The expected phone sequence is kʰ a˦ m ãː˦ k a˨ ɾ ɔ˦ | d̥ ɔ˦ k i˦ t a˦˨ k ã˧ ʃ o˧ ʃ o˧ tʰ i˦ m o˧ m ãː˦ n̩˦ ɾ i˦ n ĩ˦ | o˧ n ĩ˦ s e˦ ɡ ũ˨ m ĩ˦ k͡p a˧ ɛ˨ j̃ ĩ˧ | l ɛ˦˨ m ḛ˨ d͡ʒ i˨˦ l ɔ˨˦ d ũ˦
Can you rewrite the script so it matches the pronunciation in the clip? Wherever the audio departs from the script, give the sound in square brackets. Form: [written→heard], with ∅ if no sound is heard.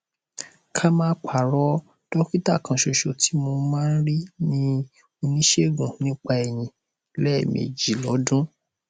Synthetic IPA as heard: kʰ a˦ m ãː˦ [k→k͡p] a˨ ɾ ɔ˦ | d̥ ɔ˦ k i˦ t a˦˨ k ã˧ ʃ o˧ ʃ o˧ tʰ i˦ m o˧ m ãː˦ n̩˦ ɾ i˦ n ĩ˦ | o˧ n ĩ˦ [s→ʃ] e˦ ɡ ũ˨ [m→n] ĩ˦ k͡p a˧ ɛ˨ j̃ ĩ˧ | l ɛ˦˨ m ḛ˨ d͡ʒ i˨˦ l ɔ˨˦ d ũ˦